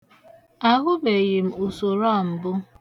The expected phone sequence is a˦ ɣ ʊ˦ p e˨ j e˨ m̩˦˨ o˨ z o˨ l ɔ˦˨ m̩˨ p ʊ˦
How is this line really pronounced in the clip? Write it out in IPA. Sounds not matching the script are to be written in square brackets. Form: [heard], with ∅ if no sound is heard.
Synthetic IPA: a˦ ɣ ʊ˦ [b] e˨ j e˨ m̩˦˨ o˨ [s] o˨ [ɾ] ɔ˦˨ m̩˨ [b] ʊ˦